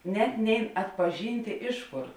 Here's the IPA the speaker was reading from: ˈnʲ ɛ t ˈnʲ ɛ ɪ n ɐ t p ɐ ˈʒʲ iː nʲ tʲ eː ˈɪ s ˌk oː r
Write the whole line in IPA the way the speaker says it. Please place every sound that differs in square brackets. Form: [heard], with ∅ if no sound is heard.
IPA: ˈnʲ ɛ t ˈnʲ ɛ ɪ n ɐ t p ɐ ˈʒʲ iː nʲ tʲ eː ˈɪ [ʃ] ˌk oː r